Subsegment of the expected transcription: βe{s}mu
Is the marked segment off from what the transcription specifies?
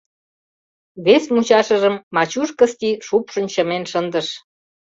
no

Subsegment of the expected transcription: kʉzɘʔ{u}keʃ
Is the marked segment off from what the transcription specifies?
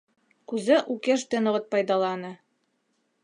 no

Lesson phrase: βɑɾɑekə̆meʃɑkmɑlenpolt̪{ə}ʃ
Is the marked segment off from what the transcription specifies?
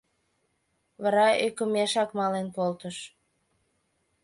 no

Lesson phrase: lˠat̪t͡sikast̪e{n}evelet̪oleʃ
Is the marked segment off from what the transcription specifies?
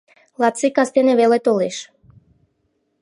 no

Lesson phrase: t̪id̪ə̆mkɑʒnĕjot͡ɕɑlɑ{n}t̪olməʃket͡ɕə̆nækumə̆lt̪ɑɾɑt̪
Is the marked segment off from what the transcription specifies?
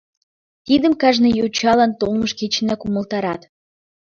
no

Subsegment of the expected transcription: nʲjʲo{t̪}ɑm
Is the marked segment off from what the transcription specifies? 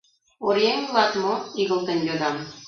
yes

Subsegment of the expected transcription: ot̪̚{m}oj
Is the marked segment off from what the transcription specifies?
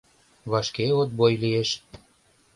yes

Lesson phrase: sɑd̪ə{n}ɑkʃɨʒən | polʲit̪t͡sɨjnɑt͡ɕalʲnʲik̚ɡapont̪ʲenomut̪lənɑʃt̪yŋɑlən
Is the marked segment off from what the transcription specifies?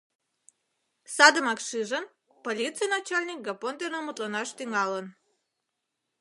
yes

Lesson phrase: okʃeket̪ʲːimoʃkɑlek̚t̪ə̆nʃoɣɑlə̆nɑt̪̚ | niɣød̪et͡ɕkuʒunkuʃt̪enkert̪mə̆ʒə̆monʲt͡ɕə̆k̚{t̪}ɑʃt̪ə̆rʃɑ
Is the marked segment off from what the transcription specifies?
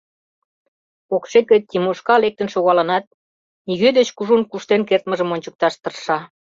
no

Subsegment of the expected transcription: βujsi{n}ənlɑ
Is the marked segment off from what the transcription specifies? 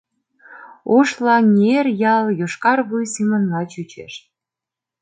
yes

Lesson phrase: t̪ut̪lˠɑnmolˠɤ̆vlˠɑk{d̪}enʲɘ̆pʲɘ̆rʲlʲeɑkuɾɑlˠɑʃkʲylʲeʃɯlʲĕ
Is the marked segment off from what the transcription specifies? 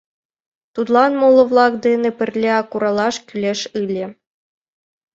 no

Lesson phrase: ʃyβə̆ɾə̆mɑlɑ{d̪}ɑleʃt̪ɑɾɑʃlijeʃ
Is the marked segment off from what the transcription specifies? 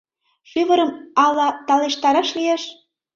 yes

